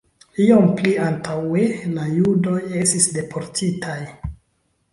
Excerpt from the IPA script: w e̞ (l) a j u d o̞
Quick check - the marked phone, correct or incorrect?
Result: correct